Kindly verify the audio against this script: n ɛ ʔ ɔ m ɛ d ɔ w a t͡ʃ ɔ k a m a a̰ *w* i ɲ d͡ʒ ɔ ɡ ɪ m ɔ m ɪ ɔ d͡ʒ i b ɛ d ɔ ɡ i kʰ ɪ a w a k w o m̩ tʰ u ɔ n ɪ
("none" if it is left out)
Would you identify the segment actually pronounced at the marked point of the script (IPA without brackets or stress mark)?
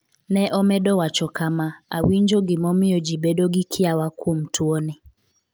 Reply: w